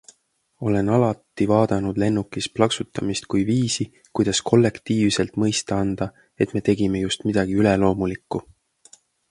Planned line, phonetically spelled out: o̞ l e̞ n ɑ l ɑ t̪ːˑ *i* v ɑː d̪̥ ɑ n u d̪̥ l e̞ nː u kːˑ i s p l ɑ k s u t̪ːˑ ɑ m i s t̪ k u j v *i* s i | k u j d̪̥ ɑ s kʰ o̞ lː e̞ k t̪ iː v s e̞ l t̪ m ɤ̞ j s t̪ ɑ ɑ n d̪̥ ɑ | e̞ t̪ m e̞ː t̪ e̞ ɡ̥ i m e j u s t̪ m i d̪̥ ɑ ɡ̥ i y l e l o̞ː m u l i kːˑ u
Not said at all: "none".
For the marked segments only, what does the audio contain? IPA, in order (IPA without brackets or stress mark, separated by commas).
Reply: i, iː